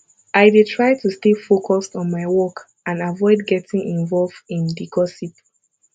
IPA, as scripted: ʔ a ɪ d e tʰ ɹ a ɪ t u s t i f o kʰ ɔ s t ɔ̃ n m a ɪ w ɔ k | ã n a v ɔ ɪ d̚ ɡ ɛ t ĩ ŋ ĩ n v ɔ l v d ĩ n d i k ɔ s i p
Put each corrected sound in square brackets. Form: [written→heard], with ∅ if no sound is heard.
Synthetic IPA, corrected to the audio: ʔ a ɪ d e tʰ ɹ a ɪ t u s t [i→e] f o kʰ ɔ s t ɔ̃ n m a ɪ w ɔ k | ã n a v ɔ ɪ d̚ ɡ ɛ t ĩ ŋ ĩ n v ɔ l v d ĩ n d i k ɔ s i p